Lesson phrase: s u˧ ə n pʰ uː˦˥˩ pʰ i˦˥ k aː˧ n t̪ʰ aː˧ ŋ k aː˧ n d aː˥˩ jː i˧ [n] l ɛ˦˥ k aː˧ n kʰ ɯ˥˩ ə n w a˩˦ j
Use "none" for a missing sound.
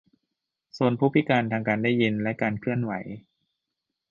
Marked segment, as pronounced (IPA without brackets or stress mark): n